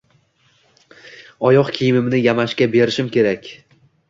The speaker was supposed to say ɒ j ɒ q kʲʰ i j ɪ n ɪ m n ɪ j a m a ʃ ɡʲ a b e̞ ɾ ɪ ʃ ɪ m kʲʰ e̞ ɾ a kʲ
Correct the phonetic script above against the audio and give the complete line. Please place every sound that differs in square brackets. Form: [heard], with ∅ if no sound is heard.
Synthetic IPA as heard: ɒ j ɒ q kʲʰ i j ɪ [m] ɪ m n ɪ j a m a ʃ [kʲ] a b e̞ ɾ ɪ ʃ ɪ m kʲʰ e̞ ɾ a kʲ